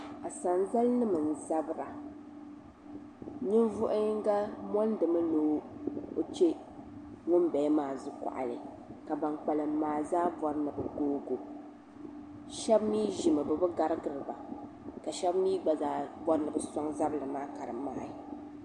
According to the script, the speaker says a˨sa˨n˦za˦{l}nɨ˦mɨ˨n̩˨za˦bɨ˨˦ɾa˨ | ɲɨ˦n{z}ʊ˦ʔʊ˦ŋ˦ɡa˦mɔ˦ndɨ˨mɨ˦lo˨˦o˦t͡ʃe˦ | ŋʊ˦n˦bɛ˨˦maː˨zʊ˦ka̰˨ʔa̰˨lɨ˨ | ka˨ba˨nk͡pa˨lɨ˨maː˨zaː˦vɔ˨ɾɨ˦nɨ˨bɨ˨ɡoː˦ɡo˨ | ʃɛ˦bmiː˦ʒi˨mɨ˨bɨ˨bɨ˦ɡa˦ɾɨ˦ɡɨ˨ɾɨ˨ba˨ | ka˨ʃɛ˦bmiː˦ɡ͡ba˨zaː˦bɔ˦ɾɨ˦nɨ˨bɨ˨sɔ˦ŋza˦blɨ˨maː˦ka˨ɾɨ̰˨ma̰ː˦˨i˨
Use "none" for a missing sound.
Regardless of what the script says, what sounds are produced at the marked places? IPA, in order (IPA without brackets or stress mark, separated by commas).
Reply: l, v